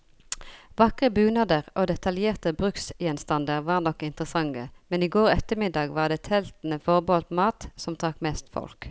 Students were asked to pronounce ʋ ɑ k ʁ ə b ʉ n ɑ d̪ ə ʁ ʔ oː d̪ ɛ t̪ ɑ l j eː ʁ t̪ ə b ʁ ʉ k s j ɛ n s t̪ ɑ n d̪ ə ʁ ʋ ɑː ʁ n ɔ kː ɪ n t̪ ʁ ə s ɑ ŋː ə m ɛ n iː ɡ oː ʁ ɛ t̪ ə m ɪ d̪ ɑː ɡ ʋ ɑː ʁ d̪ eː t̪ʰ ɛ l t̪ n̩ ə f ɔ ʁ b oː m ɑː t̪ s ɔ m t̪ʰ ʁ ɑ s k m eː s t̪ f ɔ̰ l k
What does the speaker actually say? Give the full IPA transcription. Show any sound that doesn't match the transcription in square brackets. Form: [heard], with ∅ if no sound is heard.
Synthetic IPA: ʋ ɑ k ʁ ə b [ʉː] n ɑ d̪ ə ʁ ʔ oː d̪ ɛ t̪ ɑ l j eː ʁ t̪ ə b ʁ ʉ k s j ɛ n s t̪ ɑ n d̪ ə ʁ ʋ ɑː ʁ n ɔ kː ɪ n t̪ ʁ ə s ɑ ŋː ə m ɛ n iː ɡ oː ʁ ɛ t̪ ə m ɪ d̪ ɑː ɡ ʋ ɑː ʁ d̪ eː t̪ʰ ɛ l t̪ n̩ ə f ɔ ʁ b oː m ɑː t̪ s ɔ m t̪ʰ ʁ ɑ [∅] k m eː s t̪ f ɔ̰ l k